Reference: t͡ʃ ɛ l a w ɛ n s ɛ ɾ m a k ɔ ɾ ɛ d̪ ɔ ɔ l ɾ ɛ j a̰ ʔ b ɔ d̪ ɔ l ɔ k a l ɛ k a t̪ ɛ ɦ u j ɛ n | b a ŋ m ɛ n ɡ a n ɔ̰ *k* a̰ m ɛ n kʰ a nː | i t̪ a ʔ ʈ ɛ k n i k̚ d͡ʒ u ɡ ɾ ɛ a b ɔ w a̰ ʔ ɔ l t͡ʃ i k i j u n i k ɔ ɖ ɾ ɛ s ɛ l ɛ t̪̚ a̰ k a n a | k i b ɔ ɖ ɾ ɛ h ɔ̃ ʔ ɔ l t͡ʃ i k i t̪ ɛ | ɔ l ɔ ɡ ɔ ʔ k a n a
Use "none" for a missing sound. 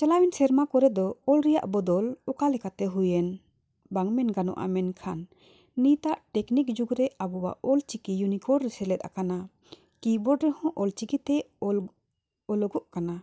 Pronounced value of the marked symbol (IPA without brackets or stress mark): ʔ